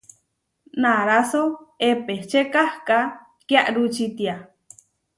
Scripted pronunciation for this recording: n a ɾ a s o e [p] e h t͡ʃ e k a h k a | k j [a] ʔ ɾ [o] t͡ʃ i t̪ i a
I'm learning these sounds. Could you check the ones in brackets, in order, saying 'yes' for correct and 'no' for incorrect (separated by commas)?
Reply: yes, yes, no